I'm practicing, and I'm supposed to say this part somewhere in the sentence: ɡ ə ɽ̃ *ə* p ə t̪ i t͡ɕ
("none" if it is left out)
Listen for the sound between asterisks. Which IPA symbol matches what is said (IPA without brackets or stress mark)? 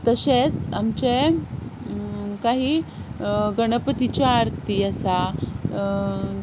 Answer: ə